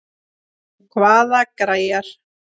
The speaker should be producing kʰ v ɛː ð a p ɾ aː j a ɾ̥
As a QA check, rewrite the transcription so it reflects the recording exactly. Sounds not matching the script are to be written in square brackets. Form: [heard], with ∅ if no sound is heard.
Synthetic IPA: kʰ v [aː] ð a [k] ɾ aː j a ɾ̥

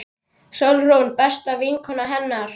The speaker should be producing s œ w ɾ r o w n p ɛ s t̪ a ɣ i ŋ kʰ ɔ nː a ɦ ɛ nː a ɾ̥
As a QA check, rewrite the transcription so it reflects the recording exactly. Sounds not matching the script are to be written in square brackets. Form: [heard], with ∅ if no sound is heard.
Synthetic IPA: s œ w [l] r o w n p ɛ s t̪ a [v] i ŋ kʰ ɔ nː a ɦ ɛ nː a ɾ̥

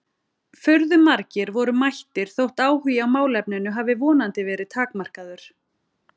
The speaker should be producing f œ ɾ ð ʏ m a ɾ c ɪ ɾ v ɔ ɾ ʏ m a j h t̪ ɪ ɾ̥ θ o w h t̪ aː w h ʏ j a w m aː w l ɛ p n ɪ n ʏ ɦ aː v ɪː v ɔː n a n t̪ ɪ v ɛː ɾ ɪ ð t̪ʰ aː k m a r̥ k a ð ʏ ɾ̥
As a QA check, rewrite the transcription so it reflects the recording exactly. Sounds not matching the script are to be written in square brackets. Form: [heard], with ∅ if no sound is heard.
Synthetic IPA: f œ ɾ ð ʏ m a ɾ c ɪ ɾ v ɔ ɾ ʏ m a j h t̪ ɪ ɾ̥ θ o w h t̪ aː w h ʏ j a w m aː w l ɛ p n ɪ n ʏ ɦ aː v [ɪ] v ɔː n a n t̪ ɪ v ɛː ɾ ɪ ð t̪ʰ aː k m a r̥ k a ð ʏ ɾ̥

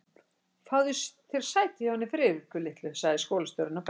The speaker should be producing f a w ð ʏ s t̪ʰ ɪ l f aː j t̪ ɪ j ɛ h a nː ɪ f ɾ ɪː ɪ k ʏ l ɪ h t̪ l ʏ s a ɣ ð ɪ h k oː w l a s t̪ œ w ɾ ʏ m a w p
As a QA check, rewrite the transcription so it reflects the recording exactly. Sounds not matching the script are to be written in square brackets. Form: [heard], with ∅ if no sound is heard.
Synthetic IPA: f a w ð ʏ s t̪ʰ ɪ l [s] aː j t̪ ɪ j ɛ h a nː ɪ f ɾ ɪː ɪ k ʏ l ɪ h t̪ l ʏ s a ɣ ð ɪ [s] k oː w l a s t̪ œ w ɾ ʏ [n] a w p

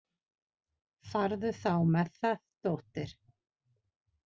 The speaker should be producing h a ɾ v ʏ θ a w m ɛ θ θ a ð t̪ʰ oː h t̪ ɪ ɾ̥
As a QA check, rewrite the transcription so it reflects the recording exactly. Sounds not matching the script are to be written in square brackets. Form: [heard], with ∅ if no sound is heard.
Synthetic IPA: [f] a ɾ [ð] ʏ θ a w m ɛ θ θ a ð [t̪] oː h t̪ ɪ ɾ̥

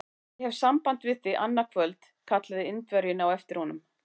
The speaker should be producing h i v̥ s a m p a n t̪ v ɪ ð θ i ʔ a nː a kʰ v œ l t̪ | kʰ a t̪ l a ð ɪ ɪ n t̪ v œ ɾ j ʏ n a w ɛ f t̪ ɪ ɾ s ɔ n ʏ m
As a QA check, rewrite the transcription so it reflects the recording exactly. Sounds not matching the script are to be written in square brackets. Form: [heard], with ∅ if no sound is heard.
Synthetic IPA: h [ɛ] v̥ s a m p a n t̪ v ɪ ð θ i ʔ a nː a kʰ v œ l t̪ | kʰ a t̪ l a ð ɪ ɪ n t̪ v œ ɾ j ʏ n a w ɛ f t̪ ɪ ɾ [h] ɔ n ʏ m

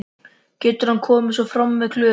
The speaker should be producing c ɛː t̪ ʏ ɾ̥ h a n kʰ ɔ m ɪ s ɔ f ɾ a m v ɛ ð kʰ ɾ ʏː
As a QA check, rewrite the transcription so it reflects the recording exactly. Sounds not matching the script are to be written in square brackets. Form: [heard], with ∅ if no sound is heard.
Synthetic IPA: c ɛː t̪ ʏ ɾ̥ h a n kʰ [ɔː] m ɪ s ɔ f ɾ a m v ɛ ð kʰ [l] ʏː

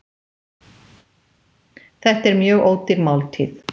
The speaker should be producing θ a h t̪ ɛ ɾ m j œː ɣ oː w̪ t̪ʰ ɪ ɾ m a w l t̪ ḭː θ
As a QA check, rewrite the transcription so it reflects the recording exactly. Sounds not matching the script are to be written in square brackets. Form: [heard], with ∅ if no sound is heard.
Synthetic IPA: θ [ɛ] h t̪ ɛ ɾ m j œː ɣ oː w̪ [t̪] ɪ ɾ m a w l [t̪ʰ] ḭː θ

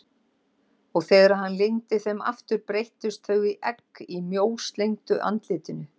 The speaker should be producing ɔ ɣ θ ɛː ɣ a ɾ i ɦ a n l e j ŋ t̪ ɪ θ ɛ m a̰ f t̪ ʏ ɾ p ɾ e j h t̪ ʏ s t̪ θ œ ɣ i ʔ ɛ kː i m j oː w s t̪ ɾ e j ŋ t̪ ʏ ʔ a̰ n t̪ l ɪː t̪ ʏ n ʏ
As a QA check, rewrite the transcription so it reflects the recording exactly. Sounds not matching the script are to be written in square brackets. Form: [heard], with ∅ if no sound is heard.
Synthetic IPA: ɔ ɣ θ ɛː ɣ a ɾ [a] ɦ a n l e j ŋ t̪ ɪ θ ɛ m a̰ f t̪ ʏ ɾ p ɾ e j h t̪ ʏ s t̪ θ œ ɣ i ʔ ɛ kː i m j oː w s t̪ [l] e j ŋ t̪ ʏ ʔ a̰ n t̪ l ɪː t̪ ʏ n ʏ

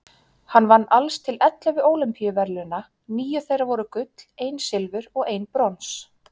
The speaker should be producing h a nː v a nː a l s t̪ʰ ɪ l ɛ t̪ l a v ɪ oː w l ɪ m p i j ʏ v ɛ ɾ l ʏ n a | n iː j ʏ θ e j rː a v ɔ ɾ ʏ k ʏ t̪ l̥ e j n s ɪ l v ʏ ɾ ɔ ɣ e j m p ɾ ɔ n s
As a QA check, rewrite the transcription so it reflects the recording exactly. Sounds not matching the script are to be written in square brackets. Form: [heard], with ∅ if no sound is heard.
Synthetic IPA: h a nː v a nː a l s t̪ʰ ɪ l ɛ t̪ l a v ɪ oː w l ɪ m p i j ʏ v ɛ ɾ l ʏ n a | n iː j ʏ θ e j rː a v ɔ ɾ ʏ k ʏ t̪ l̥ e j n s ɪ l v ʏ ɾ ɔ ɣ e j [n] p ɾ ɔ n s

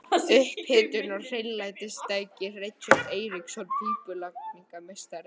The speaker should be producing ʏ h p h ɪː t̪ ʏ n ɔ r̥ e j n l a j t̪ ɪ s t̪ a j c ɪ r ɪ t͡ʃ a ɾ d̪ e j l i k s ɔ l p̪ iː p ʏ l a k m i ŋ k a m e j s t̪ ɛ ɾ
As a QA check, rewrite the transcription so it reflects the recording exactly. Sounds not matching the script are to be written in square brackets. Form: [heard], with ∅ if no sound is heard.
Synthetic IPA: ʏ h p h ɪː t̪ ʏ n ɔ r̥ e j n l a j t̪ ɪ s t̪ a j c ɪ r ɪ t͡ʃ a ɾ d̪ e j [ɾ] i k s ɔ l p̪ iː p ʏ l a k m i ŋ k a m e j s t̪ [a] ɾ

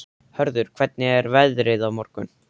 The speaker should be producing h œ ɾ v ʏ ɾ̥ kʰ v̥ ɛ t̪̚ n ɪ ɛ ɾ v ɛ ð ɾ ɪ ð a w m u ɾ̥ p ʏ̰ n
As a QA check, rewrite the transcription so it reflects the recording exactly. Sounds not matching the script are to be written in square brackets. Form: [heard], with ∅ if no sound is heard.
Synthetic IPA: h œ ɾ [ð] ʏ ɾ̥ kʰ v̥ ɛ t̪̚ n ɪ ɛ ɾ v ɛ ð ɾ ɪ ð a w m [ɔ] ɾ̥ [k] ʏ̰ n

